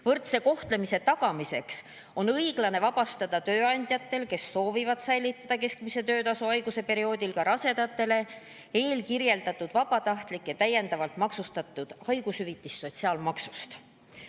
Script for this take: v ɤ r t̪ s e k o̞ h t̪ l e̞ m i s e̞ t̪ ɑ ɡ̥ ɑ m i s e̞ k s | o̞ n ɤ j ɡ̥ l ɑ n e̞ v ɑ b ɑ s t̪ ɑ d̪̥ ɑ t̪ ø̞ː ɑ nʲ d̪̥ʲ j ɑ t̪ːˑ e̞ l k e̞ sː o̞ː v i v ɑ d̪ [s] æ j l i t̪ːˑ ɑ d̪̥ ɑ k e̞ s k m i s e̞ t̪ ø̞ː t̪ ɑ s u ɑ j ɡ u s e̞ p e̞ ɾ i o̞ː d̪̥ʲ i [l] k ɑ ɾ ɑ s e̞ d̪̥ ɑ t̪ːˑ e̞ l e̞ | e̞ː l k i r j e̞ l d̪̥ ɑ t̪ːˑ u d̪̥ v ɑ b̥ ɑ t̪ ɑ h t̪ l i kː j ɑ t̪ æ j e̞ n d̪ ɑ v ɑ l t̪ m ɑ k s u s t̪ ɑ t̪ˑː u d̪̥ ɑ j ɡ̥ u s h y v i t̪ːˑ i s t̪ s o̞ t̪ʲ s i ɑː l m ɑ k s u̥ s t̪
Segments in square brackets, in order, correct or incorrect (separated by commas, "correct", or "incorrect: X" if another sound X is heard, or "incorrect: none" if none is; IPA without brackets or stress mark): correct, correct